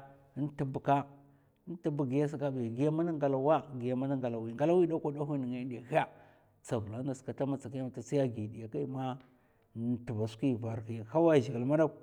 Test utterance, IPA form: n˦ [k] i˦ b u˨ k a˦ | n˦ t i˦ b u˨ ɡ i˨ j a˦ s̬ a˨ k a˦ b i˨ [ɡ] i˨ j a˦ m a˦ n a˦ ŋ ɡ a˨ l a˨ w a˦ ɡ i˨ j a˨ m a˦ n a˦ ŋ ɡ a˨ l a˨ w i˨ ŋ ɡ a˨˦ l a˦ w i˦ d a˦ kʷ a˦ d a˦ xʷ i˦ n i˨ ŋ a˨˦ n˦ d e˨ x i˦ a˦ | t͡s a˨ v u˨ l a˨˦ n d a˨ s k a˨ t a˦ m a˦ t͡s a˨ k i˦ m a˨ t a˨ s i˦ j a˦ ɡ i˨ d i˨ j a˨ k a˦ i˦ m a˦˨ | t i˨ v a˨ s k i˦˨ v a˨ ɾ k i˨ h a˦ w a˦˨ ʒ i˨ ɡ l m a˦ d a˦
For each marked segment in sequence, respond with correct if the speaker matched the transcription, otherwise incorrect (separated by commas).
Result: incorrect, correct